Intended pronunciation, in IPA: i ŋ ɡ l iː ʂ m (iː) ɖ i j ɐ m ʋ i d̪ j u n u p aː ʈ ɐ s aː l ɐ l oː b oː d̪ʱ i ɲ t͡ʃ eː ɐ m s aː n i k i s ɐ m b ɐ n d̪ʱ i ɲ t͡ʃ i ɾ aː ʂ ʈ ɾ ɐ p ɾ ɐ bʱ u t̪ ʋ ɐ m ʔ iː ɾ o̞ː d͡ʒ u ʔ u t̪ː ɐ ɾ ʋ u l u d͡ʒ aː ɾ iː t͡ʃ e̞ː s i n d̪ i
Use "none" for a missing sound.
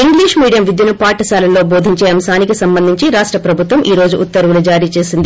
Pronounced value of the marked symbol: iː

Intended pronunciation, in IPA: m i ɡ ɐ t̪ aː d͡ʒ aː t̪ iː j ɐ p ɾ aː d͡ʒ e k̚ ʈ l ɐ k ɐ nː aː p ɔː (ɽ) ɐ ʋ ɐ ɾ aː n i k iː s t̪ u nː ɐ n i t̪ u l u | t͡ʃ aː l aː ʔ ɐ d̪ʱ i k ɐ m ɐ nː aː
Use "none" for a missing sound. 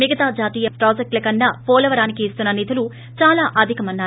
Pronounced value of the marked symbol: l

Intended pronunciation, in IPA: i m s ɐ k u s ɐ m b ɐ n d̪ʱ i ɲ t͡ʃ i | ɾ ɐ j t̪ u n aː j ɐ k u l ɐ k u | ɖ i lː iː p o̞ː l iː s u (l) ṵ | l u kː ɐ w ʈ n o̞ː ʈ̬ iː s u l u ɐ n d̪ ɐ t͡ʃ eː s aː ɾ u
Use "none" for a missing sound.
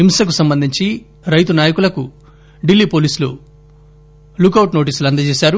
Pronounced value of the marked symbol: l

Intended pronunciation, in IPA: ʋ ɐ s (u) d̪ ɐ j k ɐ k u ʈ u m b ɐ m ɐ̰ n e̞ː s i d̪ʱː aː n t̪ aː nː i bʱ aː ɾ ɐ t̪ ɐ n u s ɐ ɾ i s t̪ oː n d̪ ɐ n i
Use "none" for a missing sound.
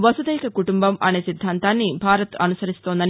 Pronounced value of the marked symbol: u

